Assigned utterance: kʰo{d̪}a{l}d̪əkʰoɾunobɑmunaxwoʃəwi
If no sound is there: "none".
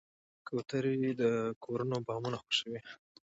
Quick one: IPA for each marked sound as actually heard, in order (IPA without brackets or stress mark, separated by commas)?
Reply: t̪, ɾ